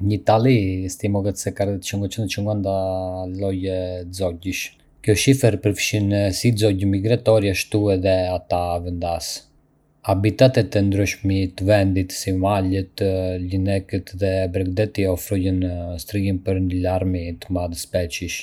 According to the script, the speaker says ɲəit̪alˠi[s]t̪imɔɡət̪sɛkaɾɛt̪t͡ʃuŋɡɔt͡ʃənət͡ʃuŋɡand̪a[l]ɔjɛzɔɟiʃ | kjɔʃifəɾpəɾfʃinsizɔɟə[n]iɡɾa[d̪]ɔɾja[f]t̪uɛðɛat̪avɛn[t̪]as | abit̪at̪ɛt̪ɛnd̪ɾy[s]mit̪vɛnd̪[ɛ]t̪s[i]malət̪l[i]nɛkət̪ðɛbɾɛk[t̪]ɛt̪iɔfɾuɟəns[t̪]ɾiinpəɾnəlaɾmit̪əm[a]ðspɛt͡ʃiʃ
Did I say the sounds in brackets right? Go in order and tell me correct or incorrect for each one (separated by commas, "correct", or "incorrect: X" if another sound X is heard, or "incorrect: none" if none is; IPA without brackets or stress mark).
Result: correct, correct, incorrect: m, incorrect: t̪, incorrect: ʃ, incorrect: d̪, incorrect: ʃ, incorrect: i, correct, correct, incorrect: d̪, correct, correct